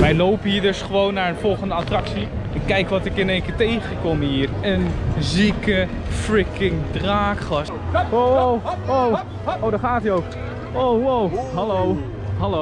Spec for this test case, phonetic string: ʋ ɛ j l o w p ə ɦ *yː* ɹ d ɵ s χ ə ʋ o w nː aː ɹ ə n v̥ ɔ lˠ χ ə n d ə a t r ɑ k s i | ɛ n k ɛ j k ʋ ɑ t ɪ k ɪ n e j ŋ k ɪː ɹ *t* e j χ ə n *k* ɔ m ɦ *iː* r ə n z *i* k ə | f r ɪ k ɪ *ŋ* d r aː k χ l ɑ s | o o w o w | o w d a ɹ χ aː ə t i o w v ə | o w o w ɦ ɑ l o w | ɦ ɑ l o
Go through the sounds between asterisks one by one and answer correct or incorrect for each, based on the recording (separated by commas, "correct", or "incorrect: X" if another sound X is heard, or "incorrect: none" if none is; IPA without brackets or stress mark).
incorrect: iː, correct, correct, correct, correct, correct